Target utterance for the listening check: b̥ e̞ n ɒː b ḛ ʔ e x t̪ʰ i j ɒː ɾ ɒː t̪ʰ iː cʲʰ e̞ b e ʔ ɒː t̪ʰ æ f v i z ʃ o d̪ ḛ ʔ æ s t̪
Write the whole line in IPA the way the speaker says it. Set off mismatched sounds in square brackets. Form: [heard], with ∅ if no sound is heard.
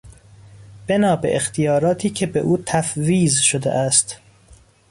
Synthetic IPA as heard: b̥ e̞ n ɒː b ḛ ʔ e x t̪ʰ i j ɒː ɾ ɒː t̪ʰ iː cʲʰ e̞ b e ʔ [uː] t̪ʰ æ f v [iː] z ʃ o d̪ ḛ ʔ æ s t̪